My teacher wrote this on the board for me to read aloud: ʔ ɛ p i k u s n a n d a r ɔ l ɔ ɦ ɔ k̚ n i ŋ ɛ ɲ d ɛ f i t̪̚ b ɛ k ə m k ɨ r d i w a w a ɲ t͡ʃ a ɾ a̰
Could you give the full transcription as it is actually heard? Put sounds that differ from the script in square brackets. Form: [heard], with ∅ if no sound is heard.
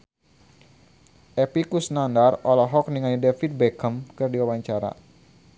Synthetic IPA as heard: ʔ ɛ p i k u s n a n d a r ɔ l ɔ ɦ ɔ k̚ n i ŋ [a] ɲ d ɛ f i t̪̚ b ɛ k ə m k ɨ r d i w a w a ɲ t͡ʃ a ɾ a̰